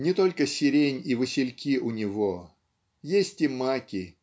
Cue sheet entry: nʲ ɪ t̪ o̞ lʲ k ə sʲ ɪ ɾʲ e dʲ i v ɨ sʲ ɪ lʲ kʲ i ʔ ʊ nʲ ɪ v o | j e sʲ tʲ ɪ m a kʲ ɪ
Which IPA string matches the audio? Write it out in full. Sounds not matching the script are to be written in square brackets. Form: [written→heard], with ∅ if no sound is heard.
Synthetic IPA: nʲ ɪ t̪ o̞ lʲ k ə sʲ ɪ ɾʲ e [dʲ→nʲ] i v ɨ sʲ ɪ lʲ kʲ i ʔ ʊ nʲ ɪ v o | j e sʲ tʲ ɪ m a kʲ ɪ